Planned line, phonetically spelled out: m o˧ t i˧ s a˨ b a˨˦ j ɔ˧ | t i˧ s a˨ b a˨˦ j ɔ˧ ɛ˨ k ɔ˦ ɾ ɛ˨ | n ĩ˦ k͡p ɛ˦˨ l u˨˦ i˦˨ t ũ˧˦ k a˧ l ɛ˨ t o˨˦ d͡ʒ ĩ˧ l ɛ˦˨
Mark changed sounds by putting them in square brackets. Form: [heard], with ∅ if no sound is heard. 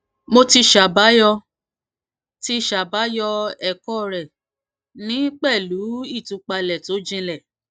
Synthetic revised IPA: m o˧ t i˧ [ʃ] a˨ b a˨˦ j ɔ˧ | t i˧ [ʃ] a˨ b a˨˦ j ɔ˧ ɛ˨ k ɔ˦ ɾ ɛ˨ | n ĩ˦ k͡p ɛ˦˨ l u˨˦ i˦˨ t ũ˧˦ [k͡p] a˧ l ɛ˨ t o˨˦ d͡ʒ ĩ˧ l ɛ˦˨